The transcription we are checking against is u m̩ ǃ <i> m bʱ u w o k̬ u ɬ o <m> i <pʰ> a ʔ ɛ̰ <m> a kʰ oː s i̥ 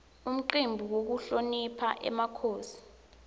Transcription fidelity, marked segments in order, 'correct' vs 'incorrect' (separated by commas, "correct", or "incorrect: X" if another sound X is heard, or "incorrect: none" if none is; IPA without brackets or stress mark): correct, incorrect: n, correct, correct